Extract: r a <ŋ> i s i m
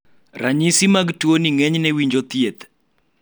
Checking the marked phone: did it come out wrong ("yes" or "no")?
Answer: yes